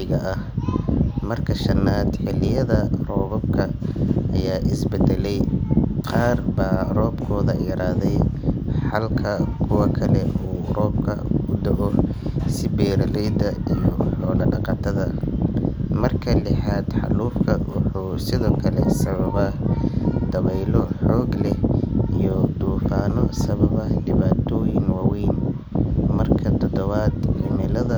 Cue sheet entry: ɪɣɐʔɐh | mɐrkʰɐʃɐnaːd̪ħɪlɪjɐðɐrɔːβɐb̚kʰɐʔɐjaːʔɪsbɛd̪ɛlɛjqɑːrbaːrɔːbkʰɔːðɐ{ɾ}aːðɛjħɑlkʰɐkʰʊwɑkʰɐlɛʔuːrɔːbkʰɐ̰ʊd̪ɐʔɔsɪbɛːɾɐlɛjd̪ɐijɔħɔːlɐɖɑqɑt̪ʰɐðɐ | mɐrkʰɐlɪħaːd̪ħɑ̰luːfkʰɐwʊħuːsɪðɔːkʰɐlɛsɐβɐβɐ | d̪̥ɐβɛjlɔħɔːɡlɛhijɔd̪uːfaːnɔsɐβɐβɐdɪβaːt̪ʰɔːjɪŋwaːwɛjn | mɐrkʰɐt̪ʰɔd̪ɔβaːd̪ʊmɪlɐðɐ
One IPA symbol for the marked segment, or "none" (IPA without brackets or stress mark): ɾ